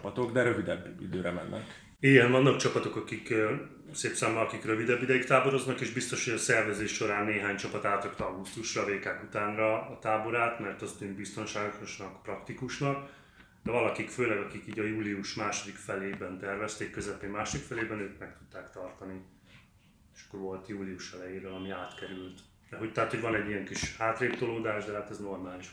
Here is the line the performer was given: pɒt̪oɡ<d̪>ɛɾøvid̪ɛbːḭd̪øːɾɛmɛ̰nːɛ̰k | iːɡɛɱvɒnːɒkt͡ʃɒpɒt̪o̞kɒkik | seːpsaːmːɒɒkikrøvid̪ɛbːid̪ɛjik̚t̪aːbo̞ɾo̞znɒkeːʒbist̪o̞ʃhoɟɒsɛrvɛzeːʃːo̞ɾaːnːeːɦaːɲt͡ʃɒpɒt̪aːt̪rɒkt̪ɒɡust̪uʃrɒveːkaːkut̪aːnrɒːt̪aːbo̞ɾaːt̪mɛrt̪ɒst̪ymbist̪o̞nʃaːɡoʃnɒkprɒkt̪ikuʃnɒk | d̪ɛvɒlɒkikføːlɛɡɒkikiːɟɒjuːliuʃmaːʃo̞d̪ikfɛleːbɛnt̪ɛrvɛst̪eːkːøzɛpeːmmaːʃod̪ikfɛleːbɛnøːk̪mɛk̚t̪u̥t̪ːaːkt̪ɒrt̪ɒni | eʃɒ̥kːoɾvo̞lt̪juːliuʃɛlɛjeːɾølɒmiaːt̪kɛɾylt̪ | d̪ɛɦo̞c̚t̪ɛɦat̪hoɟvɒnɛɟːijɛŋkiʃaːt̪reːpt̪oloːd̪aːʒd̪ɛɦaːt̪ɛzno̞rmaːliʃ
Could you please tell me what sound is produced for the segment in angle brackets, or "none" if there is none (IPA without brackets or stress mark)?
d̪